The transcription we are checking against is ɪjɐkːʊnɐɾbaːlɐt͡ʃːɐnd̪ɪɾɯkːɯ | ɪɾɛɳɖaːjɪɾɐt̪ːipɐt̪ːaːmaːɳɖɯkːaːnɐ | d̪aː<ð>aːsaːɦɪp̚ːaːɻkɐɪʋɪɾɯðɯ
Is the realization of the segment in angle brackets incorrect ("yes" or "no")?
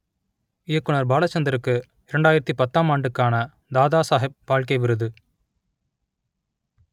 no